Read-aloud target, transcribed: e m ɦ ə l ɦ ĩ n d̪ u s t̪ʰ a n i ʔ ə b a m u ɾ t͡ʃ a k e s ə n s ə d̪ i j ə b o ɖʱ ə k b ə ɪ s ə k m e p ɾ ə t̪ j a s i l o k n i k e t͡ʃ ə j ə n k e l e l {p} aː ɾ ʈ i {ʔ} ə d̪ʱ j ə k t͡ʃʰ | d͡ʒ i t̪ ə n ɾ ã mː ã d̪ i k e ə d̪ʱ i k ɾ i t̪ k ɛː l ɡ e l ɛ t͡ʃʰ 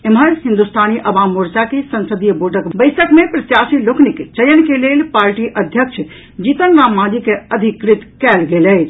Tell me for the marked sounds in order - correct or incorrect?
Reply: correct, correct

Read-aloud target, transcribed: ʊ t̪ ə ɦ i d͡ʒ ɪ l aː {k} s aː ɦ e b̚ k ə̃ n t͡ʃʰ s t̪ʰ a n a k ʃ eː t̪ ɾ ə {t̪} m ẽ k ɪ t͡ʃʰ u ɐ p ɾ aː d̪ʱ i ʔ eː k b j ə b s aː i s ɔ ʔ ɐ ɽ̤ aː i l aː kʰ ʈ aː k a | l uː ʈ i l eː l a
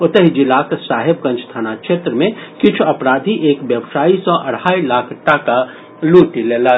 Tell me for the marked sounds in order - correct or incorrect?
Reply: correct, incorrect: none

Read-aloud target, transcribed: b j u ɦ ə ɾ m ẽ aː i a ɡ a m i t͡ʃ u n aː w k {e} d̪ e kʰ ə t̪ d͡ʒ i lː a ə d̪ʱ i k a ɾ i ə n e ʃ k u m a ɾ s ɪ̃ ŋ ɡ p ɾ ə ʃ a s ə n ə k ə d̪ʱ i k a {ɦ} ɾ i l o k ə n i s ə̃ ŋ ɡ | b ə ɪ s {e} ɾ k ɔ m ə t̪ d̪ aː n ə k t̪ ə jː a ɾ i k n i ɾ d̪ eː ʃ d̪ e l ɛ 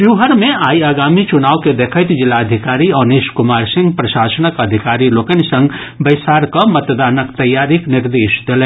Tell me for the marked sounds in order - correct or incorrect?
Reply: correct, incorrect: none, incorrect: a

